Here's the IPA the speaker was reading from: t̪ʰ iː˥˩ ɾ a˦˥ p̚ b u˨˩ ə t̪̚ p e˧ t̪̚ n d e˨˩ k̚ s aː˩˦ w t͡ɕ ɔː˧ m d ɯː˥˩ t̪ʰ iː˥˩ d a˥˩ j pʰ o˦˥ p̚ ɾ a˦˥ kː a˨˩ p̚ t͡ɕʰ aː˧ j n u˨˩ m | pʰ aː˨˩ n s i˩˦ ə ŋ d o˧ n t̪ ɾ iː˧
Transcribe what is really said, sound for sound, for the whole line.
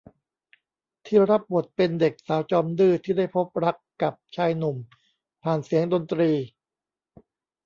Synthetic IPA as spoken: t̪ʰ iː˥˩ ɾ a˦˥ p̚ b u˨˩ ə t̪̚ p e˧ n d e˨˩ k̚ s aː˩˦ w t͡ɕ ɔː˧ m d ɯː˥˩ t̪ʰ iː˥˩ d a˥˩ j pʰ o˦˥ p̚ ɾ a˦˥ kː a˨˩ p̚ t͡ɕʰ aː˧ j n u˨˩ m | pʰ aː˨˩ n s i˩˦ ə ŋ d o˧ n t̪ ɾ iː˧